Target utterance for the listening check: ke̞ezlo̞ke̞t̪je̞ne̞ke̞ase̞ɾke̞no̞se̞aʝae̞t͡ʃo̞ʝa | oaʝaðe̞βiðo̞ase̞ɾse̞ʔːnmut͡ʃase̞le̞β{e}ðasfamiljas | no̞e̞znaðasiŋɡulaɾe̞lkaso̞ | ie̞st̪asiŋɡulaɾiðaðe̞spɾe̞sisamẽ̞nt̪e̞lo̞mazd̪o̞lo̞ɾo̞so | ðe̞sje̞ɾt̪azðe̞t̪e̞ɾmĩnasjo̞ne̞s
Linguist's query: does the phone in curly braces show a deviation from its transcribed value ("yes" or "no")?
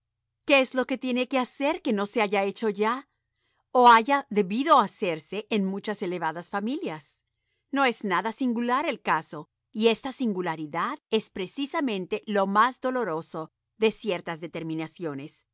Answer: yes